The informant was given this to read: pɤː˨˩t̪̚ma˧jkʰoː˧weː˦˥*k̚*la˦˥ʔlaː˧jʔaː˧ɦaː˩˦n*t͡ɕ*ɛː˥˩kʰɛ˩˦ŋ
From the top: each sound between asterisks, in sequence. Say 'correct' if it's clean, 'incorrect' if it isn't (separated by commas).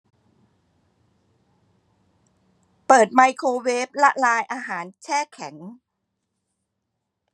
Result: incorrect, incorrect